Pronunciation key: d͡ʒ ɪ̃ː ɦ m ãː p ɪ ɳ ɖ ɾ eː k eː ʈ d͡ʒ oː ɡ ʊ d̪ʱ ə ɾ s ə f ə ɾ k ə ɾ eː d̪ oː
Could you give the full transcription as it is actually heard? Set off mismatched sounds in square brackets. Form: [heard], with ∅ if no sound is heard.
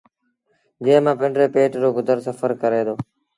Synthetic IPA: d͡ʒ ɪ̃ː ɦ m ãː p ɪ ɳ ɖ ɾ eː [p] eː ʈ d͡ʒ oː ɡ ʊ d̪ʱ ə ɾ s ə f ə ɾ k ə ɾ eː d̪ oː